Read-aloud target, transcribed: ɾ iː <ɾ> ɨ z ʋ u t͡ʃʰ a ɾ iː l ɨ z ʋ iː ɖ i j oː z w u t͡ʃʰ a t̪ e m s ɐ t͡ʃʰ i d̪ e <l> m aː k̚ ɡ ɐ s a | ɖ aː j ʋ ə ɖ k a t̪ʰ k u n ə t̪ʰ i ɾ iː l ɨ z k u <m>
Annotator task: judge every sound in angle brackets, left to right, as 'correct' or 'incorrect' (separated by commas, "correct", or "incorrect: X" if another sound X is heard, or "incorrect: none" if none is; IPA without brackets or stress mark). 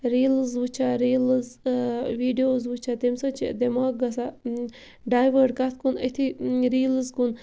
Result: incorrect: l, incorrect: none, incorrect: n